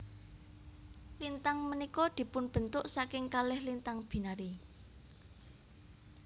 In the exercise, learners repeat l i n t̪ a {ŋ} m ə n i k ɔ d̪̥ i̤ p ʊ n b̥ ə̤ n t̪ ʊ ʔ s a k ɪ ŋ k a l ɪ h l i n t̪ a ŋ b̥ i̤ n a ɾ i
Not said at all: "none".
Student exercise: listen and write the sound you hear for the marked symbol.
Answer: ŋ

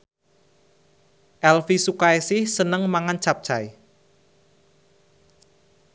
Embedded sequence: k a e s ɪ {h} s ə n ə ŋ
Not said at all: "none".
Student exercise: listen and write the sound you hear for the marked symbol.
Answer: h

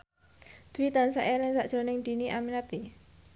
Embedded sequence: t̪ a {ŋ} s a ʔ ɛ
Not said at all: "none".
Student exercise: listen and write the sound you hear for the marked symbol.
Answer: n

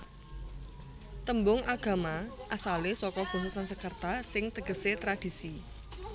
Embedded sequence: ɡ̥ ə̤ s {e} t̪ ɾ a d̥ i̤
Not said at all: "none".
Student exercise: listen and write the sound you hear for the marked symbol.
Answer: e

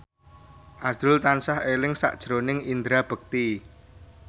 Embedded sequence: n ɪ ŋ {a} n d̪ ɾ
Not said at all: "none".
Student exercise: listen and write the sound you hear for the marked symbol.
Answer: i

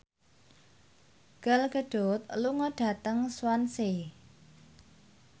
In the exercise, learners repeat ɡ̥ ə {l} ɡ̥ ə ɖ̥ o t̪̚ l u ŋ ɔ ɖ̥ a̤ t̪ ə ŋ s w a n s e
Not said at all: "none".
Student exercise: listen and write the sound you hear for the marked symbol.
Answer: l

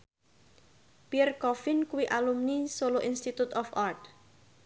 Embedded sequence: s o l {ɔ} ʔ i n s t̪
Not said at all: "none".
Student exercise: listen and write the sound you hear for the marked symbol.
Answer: o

